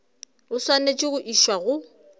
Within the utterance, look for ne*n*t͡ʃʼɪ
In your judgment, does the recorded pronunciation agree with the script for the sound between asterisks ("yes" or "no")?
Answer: no